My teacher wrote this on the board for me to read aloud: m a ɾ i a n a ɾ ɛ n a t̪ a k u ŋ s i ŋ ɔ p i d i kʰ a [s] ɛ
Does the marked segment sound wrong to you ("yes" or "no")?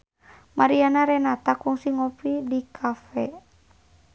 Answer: yes